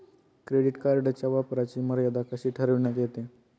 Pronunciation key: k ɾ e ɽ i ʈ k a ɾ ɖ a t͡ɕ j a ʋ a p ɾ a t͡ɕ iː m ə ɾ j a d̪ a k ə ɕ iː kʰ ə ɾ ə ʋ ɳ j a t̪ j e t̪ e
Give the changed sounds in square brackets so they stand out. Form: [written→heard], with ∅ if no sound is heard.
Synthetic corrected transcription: k ɾ e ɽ i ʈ k a ɾ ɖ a t͡ɕ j a ʋ a p ɾ a t͡ɕ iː m ə ɾ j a d̪ a k ə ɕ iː [kʰ→ʈʰ] ə ɾ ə ʋ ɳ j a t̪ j e t̪ e